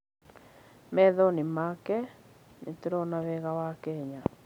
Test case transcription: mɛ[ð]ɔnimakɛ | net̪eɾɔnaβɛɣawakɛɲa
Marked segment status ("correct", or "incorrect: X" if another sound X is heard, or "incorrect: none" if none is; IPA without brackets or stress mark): correct